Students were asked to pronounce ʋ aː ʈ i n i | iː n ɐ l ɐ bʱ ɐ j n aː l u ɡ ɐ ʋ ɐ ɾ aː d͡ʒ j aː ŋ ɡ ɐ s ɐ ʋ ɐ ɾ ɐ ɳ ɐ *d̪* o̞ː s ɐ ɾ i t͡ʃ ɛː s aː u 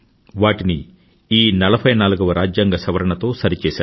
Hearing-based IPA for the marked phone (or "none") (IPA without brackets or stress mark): t̪